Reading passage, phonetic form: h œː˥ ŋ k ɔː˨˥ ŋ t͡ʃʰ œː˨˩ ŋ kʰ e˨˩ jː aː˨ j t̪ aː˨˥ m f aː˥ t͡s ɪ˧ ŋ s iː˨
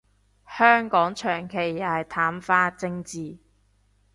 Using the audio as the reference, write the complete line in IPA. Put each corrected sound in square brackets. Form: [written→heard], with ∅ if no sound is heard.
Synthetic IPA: h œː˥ ŋ k ɔː˨˥ ŋ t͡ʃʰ œː˨˩ ŋ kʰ e˨˩ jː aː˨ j [t̪→t̪ʰ] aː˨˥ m f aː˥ t͡s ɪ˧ ŋ [s→t͡s] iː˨